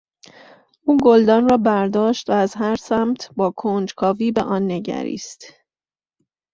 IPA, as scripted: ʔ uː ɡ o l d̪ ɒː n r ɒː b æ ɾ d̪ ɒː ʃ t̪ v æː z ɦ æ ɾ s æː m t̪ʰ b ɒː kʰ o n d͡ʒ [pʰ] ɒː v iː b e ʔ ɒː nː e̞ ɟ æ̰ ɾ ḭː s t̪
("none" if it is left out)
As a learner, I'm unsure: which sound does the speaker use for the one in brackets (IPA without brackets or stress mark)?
kʰ